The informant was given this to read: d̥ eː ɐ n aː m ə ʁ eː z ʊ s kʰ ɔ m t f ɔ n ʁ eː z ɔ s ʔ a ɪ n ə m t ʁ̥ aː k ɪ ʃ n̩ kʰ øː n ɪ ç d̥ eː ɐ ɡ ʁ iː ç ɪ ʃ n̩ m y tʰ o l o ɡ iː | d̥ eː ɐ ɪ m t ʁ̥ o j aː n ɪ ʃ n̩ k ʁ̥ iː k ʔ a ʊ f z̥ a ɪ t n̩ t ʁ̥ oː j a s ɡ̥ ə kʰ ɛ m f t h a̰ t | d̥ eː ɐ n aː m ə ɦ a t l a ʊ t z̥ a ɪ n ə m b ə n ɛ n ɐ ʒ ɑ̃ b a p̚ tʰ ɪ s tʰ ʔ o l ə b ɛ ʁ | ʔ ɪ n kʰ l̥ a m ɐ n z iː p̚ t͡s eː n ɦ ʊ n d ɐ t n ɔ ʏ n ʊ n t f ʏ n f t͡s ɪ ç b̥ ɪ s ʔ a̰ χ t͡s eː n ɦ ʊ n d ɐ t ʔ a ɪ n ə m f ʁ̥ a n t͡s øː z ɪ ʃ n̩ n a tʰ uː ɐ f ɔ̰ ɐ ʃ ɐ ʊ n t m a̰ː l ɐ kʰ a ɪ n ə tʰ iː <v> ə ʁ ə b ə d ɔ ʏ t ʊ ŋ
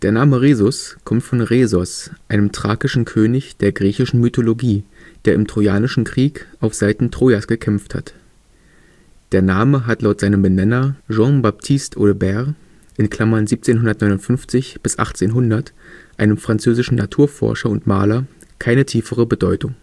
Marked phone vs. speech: incorrect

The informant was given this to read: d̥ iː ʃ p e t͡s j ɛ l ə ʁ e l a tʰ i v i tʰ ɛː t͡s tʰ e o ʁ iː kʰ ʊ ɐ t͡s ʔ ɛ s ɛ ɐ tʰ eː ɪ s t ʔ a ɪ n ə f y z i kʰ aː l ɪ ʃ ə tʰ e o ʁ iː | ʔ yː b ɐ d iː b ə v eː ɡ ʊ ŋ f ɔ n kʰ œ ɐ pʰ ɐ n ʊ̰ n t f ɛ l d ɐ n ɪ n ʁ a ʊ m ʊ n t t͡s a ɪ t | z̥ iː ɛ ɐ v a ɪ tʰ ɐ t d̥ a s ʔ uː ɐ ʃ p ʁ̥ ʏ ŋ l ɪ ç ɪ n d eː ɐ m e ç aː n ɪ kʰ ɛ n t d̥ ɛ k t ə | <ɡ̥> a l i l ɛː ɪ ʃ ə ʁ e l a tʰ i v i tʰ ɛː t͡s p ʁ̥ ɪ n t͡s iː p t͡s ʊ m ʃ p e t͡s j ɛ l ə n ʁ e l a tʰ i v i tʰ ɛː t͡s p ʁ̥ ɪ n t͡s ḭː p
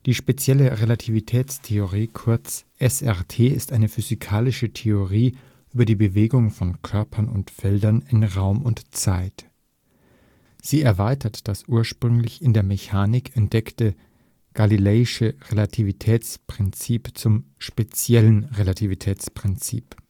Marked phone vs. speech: correct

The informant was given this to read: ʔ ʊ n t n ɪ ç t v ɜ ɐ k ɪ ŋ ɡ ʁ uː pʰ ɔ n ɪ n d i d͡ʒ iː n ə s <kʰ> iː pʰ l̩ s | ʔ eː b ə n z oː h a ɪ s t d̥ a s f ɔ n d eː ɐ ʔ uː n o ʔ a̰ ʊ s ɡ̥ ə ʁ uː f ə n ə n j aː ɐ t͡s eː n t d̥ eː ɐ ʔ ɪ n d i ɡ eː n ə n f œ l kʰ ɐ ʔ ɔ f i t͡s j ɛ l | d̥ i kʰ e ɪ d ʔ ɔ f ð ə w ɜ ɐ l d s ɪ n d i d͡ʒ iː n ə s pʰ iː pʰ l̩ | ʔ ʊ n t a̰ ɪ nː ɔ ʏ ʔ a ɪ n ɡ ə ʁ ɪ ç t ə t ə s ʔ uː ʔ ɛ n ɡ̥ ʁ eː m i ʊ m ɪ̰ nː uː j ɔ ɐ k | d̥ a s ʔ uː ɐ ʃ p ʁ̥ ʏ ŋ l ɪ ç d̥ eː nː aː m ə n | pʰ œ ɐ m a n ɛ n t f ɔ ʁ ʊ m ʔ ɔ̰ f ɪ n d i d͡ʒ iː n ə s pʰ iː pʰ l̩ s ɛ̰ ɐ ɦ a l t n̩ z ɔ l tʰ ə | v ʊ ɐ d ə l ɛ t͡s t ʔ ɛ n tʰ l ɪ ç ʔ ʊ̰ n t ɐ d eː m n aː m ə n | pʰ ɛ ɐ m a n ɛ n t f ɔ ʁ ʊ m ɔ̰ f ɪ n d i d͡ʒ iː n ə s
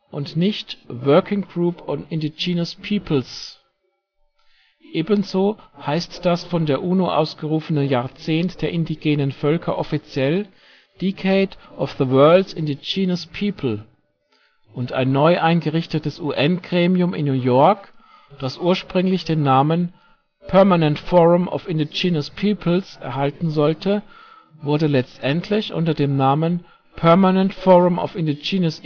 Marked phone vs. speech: incorrect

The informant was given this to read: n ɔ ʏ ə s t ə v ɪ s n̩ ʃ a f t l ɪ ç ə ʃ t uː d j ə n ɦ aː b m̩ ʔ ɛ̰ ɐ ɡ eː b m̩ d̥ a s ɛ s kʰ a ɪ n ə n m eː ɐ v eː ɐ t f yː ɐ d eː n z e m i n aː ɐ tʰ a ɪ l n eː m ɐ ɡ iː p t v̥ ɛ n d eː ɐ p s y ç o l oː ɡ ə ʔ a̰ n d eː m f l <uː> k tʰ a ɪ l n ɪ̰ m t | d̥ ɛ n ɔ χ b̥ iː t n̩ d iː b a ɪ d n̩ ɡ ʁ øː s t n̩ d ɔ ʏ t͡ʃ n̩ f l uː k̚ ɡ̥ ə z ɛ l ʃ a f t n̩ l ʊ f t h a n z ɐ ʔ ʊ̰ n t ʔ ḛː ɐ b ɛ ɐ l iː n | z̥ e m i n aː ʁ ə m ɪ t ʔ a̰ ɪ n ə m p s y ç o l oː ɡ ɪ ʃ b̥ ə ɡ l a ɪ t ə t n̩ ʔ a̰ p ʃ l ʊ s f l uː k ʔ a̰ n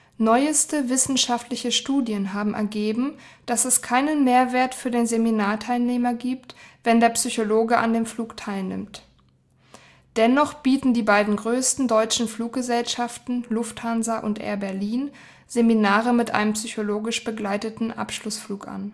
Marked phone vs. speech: correct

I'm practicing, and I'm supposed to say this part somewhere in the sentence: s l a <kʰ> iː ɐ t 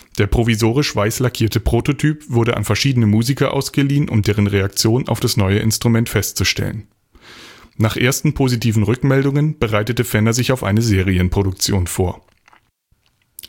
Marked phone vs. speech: correct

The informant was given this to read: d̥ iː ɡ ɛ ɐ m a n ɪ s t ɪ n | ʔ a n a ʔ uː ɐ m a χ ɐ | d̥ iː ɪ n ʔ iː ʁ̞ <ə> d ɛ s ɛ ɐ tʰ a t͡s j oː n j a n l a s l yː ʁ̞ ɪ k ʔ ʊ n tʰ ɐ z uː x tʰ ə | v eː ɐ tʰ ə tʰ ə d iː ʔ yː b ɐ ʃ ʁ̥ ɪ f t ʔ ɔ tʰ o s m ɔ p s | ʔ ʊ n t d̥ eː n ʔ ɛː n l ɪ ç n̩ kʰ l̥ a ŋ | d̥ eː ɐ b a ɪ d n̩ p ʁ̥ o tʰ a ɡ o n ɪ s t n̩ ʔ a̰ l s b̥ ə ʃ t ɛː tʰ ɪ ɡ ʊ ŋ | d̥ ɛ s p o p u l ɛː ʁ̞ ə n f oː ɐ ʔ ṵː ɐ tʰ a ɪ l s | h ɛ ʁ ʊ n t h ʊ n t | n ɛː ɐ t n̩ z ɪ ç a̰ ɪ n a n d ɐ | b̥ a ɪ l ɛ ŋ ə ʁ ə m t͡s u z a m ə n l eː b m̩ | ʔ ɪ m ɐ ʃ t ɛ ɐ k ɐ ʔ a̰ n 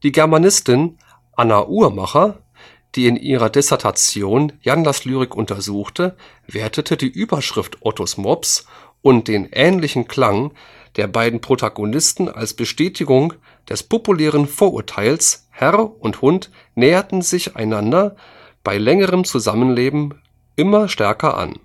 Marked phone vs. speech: incorrect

